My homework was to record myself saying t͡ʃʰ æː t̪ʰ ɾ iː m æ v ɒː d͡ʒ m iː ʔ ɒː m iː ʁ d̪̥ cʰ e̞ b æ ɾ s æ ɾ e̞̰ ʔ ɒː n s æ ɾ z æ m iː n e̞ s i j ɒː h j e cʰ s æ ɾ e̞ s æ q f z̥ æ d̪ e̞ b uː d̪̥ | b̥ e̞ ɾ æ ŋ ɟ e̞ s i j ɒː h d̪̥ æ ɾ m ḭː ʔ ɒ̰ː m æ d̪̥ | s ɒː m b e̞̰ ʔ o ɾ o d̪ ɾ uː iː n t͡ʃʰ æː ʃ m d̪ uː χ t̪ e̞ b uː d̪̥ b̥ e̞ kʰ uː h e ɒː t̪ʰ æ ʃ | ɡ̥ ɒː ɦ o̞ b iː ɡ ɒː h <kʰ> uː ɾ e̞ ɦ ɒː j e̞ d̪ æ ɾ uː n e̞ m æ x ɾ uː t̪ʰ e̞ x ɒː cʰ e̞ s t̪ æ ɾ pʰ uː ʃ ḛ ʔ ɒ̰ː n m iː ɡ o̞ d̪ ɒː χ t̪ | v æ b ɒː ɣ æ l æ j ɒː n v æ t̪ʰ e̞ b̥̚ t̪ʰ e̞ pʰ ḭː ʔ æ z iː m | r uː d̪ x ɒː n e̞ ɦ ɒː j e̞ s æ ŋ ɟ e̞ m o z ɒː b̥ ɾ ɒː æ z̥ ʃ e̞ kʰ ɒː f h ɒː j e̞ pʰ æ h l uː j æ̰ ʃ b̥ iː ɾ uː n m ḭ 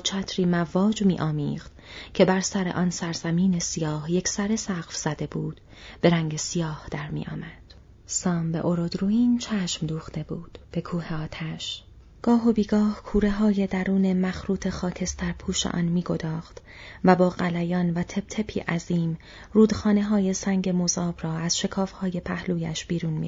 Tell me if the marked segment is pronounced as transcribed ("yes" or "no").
yes